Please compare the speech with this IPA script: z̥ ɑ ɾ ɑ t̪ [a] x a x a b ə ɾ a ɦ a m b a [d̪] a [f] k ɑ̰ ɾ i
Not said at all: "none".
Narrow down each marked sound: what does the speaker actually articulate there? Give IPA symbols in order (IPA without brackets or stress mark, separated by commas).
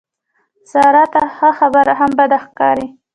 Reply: a, d̪, x